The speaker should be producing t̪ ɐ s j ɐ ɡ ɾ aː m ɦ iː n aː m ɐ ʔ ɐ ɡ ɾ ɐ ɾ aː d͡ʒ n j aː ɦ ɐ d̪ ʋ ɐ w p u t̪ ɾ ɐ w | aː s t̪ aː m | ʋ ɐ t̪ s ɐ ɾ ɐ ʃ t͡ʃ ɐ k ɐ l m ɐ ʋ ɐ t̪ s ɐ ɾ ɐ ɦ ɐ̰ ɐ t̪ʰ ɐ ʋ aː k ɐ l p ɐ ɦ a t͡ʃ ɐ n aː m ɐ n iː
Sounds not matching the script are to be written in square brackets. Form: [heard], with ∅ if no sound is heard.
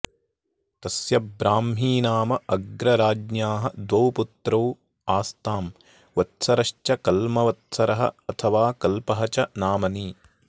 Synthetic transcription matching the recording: t̪ ɐ s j ɐ [b] ɾ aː m ɦ iː n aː m ɐ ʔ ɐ ɡ ɾ ɐ ɾ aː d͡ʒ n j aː ɦ ɐ d̪ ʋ ɐ w p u t̪ ɾ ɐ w | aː s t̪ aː m | ʋ ɐ t̪ s ɐ ɾ ɐ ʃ t͡ʃ ɐ k ɐ l m ɐ ʋ ɐ t̪ s ɐ ɾ ɐ ɦ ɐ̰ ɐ t̪ʰ ɐ ʋ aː k ɐ l p ɐ ɦ [ɐ] t͡ʃ ɐ n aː m ɐ n iː